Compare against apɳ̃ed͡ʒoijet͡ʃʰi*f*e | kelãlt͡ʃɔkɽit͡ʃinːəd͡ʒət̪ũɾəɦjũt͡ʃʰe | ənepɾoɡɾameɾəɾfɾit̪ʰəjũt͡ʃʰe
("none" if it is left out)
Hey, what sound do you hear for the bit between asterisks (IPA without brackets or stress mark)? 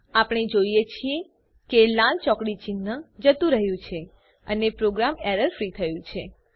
none